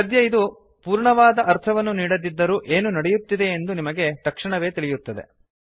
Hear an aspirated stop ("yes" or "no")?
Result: yes